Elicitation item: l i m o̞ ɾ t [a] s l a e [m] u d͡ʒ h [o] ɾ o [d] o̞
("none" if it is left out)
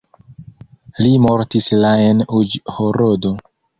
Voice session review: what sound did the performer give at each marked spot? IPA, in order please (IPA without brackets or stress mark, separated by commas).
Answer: i, n, o, d